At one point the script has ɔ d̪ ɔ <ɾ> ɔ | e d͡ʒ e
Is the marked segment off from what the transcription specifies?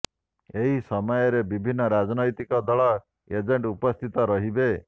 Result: yes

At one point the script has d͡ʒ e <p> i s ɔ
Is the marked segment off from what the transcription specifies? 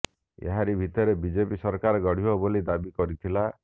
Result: no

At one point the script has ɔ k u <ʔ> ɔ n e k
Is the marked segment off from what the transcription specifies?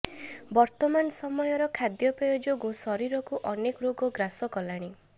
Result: no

